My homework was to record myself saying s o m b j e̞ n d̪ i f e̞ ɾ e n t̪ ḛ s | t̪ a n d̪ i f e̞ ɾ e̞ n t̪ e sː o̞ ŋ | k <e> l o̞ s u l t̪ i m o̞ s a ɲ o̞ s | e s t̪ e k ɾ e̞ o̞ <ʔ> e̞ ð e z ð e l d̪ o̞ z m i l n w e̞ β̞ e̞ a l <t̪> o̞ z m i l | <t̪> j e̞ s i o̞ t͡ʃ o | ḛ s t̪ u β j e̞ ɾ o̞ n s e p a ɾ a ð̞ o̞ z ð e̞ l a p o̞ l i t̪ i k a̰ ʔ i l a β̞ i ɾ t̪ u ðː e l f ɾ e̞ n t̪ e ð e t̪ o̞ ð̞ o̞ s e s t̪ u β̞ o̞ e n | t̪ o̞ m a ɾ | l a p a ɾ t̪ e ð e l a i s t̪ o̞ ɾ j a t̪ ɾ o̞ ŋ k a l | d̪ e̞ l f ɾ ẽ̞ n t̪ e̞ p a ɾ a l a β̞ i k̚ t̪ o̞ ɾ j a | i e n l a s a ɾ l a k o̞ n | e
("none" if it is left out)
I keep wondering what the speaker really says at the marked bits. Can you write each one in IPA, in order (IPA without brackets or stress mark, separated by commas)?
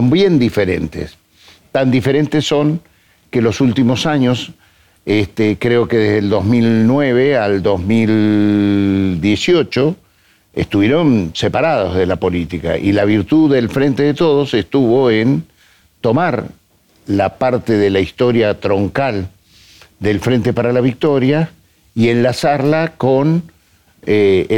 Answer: e, k, d̪, d̪